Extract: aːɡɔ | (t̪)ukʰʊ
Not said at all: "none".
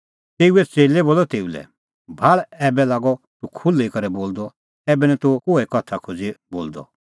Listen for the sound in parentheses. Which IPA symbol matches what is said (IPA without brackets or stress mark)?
t̪